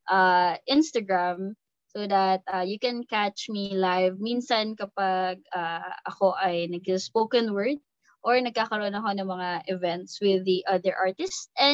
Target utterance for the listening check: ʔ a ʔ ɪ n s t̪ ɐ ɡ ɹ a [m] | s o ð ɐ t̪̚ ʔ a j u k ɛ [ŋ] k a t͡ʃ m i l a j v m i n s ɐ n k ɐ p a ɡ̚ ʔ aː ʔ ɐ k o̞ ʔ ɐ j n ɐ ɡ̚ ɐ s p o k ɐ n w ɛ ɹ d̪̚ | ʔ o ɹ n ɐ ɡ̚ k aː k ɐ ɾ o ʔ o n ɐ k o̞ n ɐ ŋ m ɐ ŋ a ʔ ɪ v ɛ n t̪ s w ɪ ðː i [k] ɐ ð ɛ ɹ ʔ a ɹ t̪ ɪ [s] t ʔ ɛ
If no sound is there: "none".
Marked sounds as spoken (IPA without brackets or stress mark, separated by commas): m, n, ʔ, s